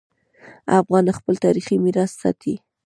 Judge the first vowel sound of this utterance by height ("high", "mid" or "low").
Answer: low